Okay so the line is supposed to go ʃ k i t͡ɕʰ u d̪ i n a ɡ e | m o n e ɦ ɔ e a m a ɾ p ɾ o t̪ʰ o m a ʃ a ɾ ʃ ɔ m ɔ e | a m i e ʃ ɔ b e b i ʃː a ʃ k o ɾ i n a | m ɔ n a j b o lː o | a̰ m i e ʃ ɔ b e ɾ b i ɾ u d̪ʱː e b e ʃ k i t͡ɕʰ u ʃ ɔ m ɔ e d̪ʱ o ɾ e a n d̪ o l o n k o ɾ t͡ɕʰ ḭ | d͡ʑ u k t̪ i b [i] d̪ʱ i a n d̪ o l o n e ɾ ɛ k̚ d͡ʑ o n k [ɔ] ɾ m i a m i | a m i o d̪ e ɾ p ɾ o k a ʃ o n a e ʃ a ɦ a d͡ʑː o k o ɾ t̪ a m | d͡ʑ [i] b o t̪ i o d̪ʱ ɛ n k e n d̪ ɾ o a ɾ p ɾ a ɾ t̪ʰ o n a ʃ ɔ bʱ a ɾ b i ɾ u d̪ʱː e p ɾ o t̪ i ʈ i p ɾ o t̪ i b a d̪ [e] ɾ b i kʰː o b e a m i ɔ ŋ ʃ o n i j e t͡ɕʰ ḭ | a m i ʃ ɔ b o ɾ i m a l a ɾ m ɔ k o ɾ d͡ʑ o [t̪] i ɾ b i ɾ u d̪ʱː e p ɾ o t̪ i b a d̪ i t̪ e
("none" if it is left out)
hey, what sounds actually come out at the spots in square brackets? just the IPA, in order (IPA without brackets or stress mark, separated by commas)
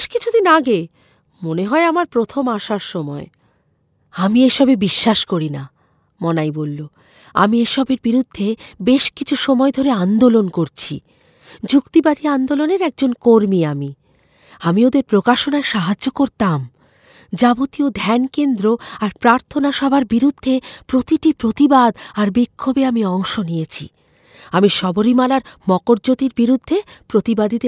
a, o, a, a, t̪